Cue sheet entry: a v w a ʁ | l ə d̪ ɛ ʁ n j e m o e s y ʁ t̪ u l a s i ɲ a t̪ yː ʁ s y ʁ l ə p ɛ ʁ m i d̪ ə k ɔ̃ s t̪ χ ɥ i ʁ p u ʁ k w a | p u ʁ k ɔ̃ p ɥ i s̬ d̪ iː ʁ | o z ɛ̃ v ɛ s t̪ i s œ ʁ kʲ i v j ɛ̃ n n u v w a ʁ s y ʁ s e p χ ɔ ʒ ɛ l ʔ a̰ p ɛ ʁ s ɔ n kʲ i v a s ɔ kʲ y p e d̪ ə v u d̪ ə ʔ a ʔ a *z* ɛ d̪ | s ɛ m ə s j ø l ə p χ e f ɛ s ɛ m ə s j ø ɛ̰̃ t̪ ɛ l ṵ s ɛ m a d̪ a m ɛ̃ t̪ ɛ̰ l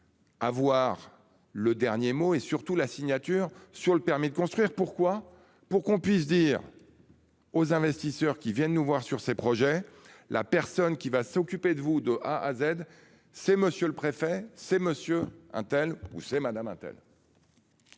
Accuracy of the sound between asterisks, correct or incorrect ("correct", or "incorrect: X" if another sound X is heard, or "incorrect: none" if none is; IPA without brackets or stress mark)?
correct